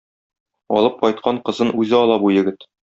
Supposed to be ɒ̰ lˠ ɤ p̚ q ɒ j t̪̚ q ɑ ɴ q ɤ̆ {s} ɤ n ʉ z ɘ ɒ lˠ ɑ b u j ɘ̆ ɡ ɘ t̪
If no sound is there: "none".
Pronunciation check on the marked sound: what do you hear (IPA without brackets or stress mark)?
z